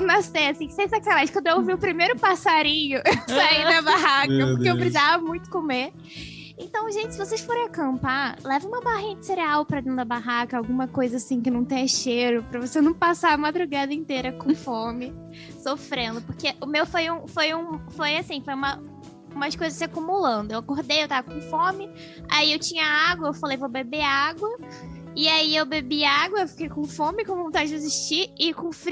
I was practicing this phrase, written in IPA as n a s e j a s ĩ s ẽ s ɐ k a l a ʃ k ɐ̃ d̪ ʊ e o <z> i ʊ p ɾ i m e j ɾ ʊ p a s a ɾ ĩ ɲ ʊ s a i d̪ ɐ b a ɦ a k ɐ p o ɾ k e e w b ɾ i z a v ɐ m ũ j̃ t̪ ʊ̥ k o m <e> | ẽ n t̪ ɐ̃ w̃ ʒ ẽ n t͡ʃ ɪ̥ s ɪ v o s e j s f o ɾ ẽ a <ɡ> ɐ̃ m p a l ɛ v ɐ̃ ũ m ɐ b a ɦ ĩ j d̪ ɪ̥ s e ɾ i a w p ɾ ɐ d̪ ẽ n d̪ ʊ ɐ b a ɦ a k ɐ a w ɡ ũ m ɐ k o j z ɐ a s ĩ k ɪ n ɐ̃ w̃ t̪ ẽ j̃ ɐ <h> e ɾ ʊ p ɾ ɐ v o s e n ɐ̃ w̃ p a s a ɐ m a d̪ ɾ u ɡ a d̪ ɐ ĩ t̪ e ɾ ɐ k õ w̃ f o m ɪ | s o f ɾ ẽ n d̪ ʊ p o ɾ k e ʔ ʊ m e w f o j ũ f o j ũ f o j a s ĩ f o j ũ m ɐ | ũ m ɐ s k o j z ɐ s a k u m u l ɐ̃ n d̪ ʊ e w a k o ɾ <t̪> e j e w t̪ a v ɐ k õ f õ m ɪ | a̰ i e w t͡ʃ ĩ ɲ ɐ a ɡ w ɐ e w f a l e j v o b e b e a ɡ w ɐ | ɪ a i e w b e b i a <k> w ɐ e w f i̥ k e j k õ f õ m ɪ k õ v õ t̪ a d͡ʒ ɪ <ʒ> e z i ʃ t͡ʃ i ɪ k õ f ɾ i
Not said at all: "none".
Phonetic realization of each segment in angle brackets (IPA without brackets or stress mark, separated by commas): v, e, k, ʃ, d̪, ɡ, d͡ʒ